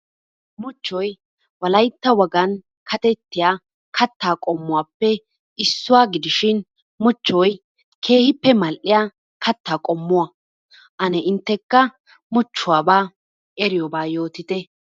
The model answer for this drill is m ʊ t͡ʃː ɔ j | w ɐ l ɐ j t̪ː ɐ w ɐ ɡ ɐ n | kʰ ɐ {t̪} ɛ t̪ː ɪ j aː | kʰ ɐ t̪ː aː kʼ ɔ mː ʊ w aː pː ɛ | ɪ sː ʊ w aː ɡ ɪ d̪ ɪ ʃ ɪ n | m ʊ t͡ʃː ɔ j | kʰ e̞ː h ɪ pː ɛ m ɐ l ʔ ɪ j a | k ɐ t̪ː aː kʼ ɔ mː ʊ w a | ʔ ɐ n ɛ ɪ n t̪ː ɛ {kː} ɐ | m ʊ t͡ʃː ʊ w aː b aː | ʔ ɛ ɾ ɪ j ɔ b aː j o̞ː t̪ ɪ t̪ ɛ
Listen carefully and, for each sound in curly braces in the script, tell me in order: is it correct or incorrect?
correct, correct

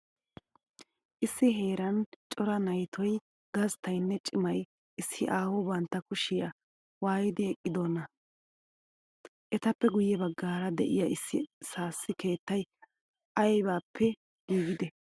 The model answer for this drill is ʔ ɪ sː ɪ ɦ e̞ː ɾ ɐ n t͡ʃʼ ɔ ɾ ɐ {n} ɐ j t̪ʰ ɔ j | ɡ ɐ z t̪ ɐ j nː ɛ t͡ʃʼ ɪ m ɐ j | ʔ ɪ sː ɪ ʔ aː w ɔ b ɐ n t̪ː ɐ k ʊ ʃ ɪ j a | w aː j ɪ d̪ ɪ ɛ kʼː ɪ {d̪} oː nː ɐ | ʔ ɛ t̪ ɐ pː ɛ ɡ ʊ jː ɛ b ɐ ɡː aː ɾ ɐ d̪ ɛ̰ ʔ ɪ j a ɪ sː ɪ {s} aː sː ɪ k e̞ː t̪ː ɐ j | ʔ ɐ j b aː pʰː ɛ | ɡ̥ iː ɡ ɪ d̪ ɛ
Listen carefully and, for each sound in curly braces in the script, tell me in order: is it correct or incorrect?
correct, correct, correct

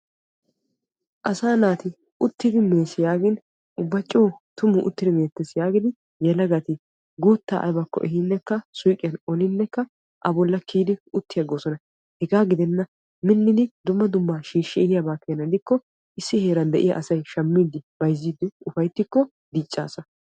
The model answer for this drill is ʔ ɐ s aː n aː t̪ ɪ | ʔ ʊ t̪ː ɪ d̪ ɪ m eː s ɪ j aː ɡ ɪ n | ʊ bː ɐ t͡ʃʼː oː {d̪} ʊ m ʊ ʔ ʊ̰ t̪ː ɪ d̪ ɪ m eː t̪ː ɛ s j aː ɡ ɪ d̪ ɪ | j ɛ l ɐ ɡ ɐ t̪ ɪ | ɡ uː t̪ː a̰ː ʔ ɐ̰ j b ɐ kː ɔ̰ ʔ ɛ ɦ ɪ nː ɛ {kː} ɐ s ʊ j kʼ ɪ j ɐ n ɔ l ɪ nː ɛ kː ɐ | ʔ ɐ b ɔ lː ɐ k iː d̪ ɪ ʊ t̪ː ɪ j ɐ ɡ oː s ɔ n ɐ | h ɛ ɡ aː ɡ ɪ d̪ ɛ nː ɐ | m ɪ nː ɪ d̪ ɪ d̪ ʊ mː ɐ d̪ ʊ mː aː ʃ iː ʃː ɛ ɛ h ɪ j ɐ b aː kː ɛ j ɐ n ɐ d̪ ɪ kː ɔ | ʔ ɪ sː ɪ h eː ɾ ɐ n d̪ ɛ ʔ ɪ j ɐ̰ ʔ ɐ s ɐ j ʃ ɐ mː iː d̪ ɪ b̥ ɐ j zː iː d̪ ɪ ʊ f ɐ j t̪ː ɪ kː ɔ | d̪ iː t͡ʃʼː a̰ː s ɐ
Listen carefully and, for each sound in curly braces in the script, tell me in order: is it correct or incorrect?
incorrect, correct

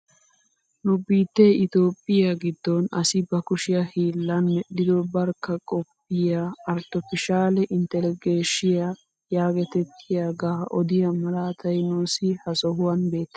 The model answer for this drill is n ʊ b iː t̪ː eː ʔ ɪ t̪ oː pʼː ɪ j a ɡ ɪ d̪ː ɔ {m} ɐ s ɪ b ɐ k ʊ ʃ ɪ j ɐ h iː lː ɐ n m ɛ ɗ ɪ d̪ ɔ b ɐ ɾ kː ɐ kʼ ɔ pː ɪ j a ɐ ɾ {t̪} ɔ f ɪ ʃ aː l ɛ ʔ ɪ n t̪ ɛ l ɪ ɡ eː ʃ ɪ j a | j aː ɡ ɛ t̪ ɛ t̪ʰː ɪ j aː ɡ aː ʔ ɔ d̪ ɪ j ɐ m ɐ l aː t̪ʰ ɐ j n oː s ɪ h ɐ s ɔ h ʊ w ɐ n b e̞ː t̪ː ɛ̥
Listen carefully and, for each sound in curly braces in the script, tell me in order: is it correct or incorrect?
incorrect, correct

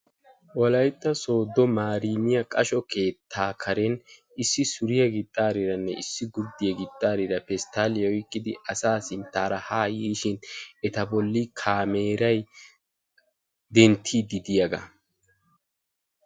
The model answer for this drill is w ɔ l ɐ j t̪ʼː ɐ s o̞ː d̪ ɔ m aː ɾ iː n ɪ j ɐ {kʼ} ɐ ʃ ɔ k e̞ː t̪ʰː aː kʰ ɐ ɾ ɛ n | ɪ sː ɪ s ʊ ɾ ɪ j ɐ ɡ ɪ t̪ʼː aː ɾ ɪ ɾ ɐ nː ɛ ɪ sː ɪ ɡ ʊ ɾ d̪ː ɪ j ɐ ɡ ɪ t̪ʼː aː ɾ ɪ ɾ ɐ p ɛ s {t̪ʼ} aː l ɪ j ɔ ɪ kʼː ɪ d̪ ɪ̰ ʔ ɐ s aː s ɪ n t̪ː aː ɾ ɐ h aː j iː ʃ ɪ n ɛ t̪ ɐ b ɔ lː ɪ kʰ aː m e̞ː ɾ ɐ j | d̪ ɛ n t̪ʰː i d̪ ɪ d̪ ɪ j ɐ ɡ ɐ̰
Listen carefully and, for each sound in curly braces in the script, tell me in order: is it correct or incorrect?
correct, incorrect

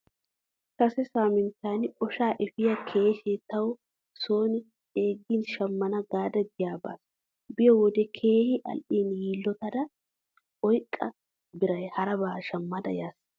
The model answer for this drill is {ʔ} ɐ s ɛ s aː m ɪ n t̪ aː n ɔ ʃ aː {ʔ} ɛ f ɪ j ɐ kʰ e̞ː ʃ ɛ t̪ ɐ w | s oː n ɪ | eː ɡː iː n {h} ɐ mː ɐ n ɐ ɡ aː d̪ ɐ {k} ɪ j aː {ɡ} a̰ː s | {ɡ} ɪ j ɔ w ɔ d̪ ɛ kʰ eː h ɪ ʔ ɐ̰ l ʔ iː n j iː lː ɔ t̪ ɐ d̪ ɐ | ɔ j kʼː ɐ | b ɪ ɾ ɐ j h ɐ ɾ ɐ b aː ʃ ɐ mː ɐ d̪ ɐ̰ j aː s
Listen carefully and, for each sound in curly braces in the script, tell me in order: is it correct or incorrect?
incorrect, correct, incorrect, incorrect, incorrect, incorrect

